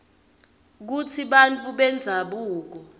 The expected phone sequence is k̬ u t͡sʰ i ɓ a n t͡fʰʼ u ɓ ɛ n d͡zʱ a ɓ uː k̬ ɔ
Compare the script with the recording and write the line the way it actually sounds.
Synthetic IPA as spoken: k̬ u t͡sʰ i ɓ a n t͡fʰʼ u ɓ ɛ n d͡zʱ a ɓ uː k̬ ɔ